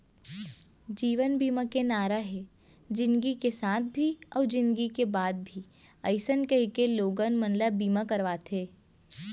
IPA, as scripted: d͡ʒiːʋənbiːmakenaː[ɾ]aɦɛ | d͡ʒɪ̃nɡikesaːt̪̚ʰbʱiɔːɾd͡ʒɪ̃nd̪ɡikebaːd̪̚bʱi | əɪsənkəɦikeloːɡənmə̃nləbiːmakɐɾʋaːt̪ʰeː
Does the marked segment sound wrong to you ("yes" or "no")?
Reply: no